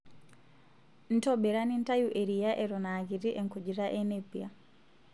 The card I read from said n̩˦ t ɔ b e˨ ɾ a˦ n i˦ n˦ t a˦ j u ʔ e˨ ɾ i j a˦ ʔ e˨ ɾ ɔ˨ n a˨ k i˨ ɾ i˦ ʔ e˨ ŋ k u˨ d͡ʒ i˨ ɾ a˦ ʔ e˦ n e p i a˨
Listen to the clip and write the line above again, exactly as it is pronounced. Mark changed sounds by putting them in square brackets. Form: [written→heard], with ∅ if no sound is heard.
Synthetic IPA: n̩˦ t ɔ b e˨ ɾ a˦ n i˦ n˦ t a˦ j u ʔ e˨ ɾ i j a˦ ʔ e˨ ɾ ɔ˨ n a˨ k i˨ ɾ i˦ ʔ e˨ ŋ k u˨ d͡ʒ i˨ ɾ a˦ ʔ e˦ n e p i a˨